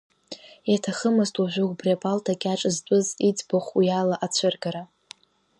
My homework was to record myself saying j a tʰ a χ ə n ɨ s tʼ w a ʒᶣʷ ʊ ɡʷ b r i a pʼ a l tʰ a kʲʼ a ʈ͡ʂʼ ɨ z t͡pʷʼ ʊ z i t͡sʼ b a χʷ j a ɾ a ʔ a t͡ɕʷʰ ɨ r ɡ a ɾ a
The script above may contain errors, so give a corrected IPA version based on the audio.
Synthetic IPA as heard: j a tʰ a χ ə m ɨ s tʼ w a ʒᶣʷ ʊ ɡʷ b r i a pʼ a l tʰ a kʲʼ a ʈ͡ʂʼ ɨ z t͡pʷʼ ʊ z i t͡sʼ b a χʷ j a l a ʔ a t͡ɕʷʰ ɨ r ɡ a ɾ a